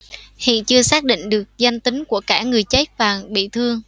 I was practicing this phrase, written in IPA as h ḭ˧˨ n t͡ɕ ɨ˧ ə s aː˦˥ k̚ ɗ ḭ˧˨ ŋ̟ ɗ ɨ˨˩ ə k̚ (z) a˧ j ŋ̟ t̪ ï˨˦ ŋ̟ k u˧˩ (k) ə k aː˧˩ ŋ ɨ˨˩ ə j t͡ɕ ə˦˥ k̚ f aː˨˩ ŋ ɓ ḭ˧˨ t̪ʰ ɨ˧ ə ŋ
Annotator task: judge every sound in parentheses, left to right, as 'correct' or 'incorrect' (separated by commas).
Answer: correct, incorrect